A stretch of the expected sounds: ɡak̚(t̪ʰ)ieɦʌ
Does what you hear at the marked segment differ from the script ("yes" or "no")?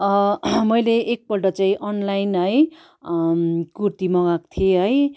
no